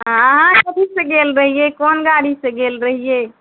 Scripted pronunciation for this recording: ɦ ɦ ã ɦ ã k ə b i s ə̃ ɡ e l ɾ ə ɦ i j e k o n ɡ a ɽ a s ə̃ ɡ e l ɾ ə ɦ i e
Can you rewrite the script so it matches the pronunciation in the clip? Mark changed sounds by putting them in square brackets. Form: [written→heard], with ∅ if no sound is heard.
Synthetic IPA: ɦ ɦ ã ɦ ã k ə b i s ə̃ ɡ e l ɾ ə ɦ i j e k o n ɡ a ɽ [a→i] s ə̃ ɡ e l ɾ ə ɦ i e